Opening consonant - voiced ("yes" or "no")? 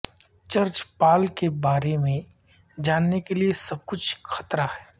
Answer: no